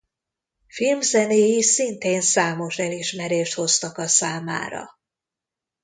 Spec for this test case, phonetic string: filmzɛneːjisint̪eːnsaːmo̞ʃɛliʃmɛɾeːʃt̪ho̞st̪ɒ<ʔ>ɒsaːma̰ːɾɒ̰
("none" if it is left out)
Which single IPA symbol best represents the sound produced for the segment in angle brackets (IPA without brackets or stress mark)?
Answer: k